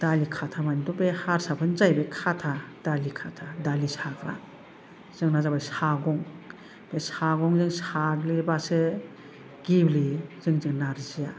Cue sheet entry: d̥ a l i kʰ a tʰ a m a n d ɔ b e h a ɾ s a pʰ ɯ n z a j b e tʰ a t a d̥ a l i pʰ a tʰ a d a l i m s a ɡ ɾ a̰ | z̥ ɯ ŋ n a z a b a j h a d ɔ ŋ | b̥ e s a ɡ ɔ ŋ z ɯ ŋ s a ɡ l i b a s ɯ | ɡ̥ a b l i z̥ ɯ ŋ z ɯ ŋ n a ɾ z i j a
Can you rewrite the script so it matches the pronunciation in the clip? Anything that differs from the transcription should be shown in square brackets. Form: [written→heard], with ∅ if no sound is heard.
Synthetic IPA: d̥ a l i kʰ a tʰ a m a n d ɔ b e h a ɾ s a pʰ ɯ n z a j b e [tʰ→kʰ] a [t→tʰ] a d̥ a l i [pʰ→kʰ] a tʰ a d a l i [m→∅] s a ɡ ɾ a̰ | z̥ ɯ ŋ n a z a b a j [h→s] a [d→ɡ] ɔ ŋ | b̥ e s a ɡ ɔ ŋ z ɯ ŋ s a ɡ l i b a s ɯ | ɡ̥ [a→i] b l i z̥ ɯ ŋ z ɯ ŋ n a ɾ z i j a